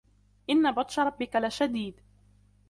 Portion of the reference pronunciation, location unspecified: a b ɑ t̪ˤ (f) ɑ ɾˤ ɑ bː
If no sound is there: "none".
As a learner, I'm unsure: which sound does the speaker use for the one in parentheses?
ʃ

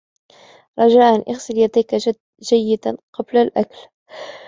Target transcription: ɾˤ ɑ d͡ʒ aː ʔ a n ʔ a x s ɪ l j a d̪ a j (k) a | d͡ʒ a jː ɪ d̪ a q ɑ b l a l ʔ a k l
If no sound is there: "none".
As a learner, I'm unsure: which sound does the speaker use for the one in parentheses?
k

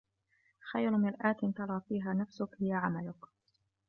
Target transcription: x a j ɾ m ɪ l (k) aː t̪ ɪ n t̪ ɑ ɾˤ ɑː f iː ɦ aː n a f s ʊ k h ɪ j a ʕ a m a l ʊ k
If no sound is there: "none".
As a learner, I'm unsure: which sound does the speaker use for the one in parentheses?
ʔ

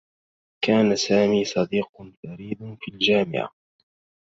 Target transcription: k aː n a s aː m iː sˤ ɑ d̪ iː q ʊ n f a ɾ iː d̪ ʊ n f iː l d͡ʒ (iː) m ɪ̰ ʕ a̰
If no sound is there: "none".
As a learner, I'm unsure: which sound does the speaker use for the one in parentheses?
aː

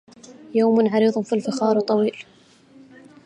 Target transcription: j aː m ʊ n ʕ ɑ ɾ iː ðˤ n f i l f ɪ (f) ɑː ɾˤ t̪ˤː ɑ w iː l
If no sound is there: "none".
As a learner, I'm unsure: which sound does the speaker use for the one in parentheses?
x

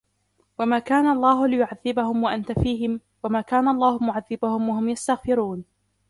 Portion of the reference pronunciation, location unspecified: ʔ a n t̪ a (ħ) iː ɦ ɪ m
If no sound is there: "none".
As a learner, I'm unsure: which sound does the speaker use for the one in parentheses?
f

